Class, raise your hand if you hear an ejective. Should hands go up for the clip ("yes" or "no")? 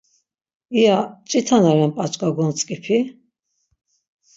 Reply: yes